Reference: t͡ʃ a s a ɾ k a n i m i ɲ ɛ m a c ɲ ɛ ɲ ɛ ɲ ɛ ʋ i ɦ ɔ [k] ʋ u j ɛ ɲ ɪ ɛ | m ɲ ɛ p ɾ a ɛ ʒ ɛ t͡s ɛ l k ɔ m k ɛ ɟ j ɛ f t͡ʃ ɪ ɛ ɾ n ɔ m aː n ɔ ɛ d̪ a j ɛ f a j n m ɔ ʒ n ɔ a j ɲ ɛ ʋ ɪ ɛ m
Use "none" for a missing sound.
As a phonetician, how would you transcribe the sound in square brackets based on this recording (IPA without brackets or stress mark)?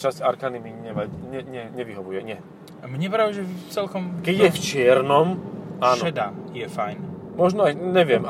none